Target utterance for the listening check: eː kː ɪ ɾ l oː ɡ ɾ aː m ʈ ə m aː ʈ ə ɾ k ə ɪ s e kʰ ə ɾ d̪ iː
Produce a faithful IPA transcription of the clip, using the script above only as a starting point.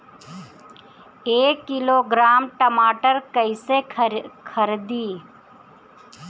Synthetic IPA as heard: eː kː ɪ l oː ɡ ɾ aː m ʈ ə m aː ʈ ə ɾ k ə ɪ s e kʰ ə ɾ d̪ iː